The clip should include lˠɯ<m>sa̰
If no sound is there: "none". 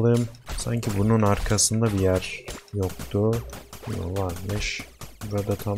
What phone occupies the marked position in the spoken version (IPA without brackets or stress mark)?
m